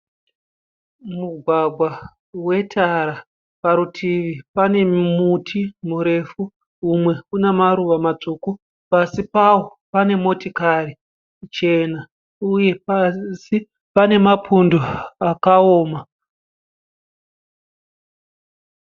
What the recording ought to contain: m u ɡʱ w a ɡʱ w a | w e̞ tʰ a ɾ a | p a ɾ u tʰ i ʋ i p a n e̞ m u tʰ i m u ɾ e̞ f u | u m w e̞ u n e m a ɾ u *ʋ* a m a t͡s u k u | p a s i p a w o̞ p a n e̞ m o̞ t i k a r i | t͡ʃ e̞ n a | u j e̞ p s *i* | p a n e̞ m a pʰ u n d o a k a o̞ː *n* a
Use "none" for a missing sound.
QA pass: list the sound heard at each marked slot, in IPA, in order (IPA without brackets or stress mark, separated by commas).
ʋ, i, m